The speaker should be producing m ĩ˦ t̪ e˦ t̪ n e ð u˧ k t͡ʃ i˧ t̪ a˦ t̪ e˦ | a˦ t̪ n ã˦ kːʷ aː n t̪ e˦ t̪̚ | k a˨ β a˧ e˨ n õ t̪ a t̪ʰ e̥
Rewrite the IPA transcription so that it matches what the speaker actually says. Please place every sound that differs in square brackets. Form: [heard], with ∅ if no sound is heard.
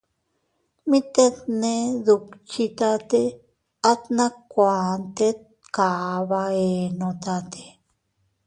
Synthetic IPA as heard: m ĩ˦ t̪ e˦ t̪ n e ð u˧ k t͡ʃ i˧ t̪ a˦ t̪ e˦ | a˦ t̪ n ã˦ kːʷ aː n t̪ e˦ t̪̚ | k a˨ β a˧ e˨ n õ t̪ a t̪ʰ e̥

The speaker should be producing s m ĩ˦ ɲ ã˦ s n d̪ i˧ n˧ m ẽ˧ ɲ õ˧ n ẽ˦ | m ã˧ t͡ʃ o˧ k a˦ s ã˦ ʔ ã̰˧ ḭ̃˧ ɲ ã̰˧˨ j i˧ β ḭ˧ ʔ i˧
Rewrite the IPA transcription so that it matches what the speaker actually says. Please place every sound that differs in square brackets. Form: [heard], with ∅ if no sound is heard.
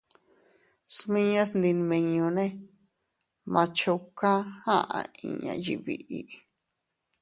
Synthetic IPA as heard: s m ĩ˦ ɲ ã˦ s n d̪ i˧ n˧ m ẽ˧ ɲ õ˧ n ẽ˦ | m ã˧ t͡ʃ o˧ k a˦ [h] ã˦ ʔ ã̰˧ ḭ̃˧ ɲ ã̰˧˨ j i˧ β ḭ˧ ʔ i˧

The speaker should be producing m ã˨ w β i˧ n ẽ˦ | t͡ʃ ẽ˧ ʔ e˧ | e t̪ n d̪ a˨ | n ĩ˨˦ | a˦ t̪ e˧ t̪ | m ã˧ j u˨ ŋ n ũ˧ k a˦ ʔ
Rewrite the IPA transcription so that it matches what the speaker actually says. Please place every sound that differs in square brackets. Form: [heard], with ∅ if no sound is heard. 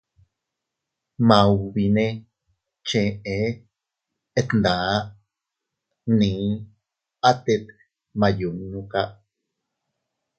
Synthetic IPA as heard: m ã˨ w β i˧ n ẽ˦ | t͡ʃ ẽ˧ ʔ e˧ | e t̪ n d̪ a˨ | n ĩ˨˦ | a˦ t̪ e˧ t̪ | m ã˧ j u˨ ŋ n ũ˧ k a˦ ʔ

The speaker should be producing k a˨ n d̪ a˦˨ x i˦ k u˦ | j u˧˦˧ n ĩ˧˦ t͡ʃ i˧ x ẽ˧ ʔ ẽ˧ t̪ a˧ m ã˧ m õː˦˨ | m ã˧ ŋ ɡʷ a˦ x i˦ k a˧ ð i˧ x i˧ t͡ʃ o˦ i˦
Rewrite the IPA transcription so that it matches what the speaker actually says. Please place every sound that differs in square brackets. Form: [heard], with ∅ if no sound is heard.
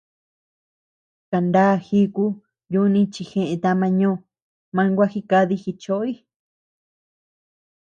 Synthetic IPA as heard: k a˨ n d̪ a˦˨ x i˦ k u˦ | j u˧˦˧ n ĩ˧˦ t͡ʃ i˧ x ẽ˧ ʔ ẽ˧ t̪ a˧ m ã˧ [ɲ] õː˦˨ | m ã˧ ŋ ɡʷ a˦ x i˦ k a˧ ð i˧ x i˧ t͡ʃ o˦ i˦

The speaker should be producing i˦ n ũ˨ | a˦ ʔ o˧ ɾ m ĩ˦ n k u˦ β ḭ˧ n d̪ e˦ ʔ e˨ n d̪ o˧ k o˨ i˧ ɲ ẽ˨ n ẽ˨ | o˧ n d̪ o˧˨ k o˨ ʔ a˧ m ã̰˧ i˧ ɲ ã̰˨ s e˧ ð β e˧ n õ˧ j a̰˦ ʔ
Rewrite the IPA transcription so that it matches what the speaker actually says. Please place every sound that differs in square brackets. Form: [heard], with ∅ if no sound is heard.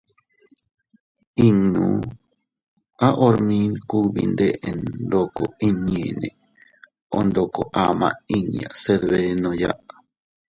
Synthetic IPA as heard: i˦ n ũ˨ | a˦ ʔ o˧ ɾ m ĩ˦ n k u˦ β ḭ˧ n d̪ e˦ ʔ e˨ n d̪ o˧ k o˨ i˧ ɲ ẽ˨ n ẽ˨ | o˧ n d̪ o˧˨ k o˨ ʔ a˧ m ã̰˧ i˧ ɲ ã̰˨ s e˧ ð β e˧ n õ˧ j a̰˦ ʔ

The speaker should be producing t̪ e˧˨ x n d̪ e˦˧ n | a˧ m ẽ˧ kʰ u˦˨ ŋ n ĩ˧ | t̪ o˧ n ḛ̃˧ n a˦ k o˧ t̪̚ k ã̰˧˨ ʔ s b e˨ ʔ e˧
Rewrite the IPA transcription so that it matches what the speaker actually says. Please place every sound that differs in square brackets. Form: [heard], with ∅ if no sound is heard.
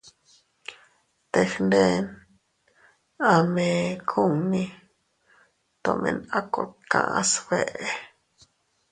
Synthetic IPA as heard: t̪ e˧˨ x n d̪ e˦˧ n | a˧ m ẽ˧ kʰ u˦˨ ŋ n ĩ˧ | t̪ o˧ [m] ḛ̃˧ n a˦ k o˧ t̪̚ k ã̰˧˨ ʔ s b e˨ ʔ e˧

